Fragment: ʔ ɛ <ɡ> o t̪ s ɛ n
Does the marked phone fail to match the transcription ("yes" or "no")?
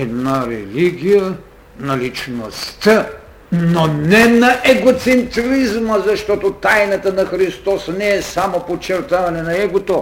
no